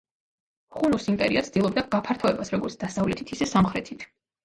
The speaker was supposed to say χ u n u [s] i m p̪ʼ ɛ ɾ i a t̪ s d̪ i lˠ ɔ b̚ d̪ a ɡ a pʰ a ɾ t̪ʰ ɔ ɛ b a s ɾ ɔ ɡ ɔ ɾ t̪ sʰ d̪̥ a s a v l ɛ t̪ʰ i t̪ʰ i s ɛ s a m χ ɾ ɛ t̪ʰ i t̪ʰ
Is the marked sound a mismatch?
no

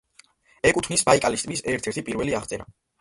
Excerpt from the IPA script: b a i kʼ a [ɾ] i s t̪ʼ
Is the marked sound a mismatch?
yes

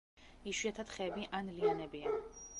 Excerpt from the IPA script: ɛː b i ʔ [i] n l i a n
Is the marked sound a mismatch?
yes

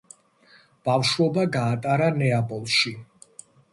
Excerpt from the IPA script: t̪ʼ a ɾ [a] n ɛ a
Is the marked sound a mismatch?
no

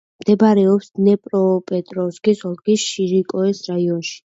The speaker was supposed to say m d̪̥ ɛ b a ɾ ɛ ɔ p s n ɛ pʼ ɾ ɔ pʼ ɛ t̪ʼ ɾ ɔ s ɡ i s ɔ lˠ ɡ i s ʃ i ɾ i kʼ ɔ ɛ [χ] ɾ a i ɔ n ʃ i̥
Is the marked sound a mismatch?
yes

